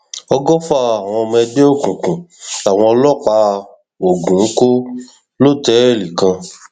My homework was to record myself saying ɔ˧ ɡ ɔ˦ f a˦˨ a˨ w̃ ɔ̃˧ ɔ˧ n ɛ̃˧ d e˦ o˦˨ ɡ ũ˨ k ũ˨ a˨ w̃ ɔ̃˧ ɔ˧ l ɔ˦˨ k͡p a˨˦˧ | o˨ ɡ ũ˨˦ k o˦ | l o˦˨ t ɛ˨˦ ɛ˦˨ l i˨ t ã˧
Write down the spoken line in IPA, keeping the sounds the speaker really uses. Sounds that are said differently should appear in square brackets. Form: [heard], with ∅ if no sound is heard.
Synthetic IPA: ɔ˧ ɡ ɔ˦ f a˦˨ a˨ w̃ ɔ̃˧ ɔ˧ [m] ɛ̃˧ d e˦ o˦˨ [k] ũ˨ k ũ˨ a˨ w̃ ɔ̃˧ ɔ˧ l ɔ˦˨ k͡p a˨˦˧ | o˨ ɡ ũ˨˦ k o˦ | l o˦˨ t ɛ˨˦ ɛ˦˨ l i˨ [k] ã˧

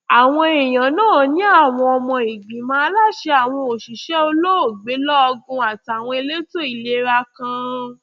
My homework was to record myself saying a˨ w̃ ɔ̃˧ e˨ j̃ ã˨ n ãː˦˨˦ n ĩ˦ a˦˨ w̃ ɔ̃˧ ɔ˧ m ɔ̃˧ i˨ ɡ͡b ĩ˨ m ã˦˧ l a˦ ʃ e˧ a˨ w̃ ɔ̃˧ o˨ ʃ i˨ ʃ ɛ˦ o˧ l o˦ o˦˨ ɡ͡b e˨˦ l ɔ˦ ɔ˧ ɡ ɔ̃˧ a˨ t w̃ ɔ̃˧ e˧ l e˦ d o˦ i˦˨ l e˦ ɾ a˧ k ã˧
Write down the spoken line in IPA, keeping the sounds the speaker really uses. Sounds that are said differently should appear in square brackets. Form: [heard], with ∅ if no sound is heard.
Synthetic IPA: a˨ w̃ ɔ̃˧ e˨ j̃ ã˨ n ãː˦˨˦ n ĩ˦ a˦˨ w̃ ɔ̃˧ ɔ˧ m ɔ̃˧ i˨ ɡ͡b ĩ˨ m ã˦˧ l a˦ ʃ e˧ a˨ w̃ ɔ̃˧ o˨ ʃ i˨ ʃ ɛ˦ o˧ l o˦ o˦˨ ɡ͡b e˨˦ l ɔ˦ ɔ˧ ɡ [ũ˧] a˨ t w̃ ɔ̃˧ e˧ l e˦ [t] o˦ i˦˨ l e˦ ɾ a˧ k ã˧

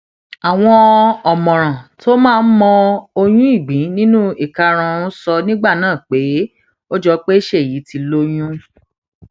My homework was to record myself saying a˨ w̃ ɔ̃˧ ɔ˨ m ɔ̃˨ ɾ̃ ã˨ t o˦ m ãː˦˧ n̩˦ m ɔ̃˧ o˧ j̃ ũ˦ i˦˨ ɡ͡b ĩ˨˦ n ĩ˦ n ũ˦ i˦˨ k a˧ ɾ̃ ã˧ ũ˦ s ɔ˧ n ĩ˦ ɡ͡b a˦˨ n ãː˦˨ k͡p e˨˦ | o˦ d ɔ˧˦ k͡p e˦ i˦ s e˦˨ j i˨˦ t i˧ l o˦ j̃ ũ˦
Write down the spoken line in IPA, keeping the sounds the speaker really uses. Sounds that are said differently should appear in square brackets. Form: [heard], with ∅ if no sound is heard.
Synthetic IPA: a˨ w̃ ɔ̃˧ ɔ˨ m ɔ̃˨ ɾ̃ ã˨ t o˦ m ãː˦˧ n̩˦ m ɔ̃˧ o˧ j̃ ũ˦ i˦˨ ɡ͡b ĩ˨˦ n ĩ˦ n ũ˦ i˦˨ k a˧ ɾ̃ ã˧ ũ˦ s ɔ˧ n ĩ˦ ɡ͡b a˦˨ n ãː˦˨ k͡p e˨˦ | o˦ [d͡ʒ] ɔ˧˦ k͡p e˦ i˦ [ʃ] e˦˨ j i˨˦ t i˧ l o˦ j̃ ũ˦

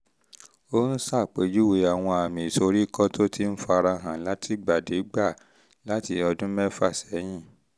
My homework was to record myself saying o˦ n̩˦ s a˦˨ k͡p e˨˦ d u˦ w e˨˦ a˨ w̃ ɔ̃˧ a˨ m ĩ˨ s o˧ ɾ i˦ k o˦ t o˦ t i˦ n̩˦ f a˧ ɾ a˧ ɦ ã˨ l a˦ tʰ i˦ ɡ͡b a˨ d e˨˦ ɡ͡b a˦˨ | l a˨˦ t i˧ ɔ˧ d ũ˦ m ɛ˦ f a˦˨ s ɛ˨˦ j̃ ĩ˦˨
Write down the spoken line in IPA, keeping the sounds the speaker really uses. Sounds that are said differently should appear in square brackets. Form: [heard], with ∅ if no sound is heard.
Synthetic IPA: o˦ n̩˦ s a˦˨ k͡p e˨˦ [d͡ʒ] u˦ w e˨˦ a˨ w̃ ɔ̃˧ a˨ m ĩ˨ s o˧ ɾ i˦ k [ɔ˦] t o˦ t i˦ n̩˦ f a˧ ɾ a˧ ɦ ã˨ l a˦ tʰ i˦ ɡ͡b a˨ d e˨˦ ɡ͡b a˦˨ | l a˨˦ t i˧ ɔ˧ d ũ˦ m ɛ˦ f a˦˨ s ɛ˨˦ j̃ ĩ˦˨

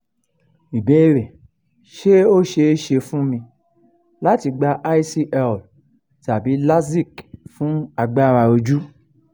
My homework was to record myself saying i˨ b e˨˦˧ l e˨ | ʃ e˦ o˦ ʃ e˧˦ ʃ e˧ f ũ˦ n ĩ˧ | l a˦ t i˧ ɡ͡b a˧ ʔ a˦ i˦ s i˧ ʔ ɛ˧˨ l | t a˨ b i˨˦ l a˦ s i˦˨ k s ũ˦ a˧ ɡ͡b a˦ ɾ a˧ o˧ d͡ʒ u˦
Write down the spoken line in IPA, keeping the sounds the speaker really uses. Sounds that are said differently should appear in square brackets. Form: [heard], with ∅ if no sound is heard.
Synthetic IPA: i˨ b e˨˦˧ [ɾ] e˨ | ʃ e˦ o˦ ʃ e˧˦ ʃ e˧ f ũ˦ [m] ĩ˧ | l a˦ t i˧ ɡ͡b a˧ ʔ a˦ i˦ s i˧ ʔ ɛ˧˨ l | t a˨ b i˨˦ l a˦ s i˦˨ k [f] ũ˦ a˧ ɡ͡b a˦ ɾ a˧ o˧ d͡ʒ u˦

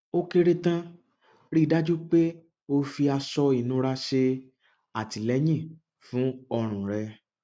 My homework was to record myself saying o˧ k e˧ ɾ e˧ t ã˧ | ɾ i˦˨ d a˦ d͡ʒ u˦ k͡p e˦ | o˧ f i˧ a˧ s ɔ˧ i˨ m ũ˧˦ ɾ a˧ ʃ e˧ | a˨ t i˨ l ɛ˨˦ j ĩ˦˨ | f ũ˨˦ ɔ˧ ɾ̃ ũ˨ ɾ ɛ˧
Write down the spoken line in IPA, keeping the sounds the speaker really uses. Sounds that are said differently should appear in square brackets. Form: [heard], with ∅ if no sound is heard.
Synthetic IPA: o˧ k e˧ ɾ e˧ t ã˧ | ɾ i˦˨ d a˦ d͡ʒ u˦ k͡p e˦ | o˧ f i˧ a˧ s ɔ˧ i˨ [n] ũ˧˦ ɾ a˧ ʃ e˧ | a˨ t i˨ l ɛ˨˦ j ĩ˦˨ | f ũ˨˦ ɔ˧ ɾ̃ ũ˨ ɾ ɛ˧

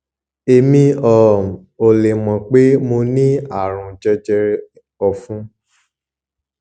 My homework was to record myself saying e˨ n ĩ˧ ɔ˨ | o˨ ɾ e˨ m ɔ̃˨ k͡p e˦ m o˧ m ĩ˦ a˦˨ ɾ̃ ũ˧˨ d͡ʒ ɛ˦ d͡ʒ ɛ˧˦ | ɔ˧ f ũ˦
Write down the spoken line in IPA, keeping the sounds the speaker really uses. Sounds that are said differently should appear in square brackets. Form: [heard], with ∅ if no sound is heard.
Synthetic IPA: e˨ [m] ĩ˧ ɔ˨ | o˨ [l] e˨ m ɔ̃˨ k͡p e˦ m o˧ [n] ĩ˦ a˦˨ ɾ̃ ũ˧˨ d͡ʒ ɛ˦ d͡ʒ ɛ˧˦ | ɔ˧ f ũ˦

